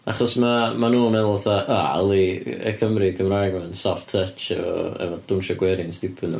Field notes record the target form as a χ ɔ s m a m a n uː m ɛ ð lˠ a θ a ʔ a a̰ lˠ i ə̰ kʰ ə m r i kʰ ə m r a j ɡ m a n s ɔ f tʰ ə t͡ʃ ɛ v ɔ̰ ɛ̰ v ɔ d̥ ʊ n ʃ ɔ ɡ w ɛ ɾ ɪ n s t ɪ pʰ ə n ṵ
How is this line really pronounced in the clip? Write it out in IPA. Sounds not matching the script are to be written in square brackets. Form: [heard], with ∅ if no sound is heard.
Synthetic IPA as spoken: a χ ɔ s m a m a n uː m ɛ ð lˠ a θ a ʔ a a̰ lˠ i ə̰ kʰ ə m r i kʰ ə m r a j ɡ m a n s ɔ f tʰ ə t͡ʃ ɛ v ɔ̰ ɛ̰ v ɔ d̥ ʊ n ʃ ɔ ɡ w ɛ ɾ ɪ n s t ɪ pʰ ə n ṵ